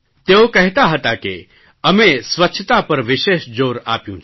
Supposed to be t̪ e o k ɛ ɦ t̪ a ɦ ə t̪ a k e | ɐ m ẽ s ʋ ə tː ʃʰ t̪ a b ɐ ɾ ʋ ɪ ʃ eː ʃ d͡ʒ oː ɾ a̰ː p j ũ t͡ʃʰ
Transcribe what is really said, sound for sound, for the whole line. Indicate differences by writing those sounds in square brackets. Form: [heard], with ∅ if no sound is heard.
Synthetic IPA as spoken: t̪ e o k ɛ ɦ t̪ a ɦ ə t̪ a k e | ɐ m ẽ s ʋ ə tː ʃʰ t̪ a [p] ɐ ɾ ʋ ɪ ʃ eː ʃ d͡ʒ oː ɾ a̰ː p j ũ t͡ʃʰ